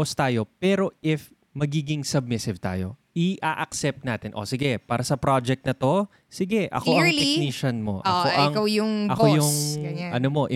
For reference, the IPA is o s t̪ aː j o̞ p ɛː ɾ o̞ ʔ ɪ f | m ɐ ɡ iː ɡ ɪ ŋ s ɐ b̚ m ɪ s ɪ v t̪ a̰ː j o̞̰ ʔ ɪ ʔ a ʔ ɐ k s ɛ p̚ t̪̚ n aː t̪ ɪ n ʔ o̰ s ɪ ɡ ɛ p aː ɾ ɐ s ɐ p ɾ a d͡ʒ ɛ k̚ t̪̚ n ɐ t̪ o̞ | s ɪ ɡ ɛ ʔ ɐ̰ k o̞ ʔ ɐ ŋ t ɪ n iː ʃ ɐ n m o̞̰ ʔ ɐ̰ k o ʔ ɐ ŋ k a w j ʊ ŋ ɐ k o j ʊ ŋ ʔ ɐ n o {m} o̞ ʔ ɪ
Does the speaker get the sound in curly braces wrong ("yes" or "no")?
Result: no